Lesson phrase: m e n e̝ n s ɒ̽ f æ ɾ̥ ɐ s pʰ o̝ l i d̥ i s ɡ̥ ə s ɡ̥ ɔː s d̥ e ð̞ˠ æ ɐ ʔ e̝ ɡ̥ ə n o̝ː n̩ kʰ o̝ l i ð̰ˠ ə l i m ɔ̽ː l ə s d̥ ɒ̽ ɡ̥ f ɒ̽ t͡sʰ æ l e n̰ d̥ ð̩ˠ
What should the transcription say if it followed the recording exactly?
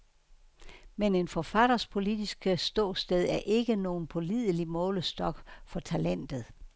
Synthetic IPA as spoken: m e n e̝ n f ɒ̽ f æ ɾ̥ ɐ s pʰ o̝ l i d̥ i s ɡ̥ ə s d̥ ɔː s d̥ e ð̞ˠ æ ɐ ʔ e̝ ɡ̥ ə n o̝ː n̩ pʰ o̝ l i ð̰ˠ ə l i m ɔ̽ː l ə s d̥ ɒ̽ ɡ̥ f ɒ̽ t͡sʰ æ l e n̰ d̥ ð̩ˠ